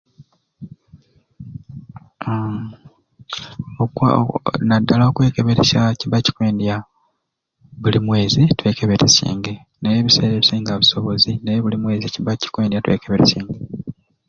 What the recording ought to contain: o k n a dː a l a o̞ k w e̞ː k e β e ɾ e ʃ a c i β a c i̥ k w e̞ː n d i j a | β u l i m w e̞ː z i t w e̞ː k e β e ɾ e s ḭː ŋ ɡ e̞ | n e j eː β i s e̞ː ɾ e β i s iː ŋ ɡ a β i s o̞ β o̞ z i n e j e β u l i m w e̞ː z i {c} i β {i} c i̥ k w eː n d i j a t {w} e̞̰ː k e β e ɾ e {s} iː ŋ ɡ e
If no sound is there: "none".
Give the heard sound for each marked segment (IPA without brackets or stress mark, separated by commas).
c, a, w, s